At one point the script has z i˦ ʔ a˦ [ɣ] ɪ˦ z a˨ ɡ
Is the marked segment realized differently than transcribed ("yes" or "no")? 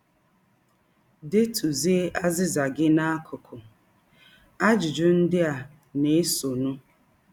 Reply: yes